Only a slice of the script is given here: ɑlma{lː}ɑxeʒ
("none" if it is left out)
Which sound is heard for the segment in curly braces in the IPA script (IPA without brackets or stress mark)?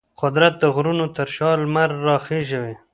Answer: ɾː